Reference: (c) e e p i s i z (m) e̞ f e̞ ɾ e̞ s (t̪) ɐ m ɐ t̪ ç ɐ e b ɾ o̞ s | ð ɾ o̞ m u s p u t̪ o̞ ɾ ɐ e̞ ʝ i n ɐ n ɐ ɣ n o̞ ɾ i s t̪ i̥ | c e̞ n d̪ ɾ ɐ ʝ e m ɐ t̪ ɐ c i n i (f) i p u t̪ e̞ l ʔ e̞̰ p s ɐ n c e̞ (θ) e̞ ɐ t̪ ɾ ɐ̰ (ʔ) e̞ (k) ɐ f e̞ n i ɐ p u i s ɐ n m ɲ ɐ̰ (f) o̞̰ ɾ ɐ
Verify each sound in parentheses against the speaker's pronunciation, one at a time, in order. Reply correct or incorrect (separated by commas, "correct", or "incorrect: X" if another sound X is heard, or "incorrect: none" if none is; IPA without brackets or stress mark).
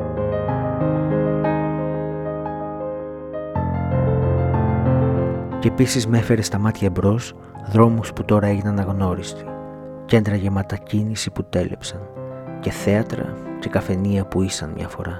correct, correct, correct, incorrect: s, correct, incorrect: c, correct, correct